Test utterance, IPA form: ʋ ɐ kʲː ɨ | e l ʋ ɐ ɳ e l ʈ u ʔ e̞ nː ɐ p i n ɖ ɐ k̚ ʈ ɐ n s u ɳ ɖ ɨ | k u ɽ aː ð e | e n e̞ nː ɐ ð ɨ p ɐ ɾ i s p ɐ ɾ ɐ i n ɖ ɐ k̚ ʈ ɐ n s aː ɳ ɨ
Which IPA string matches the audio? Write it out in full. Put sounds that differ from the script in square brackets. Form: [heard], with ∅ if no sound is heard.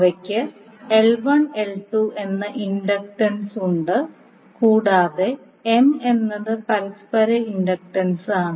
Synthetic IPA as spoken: ʋ ɐ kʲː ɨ | e l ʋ ɐ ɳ e l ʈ u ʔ e̞ nː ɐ [ʔ] i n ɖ ɐ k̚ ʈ ɐ n s u ɳ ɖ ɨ | k [uː] ɽ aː ð e | e [m] e̞ nː ɐ ð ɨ p ɐ ɾ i s p ɐ ɾ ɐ i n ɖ ɐ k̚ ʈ ɐ n s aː ɳ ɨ